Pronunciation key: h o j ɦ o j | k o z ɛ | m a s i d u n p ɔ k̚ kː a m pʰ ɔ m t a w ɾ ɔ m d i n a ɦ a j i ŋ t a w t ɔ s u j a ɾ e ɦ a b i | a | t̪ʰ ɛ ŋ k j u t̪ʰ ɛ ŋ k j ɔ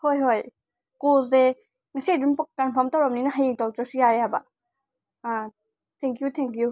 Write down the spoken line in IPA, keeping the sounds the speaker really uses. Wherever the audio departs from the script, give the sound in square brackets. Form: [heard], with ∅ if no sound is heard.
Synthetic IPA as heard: h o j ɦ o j | k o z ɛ | [ŋ] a s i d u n p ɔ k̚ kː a [n] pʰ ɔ m t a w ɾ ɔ m [n] i n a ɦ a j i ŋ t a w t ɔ s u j a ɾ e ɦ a b [a] | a | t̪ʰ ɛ ŋ k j u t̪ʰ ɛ ŋ k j [u]